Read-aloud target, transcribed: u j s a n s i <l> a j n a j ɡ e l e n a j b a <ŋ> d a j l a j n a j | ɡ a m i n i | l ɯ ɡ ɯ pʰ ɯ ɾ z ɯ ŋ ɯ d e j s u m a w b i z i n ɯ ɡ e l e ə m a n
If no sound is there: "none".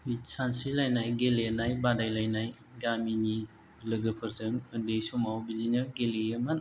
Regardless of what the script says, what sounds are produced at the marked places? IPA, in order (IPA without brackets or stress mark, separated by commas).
l, none